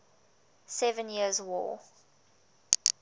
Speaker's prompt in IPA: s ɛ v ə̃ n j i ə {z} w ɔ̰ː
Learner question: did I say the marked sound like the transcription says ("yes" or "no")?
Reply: yes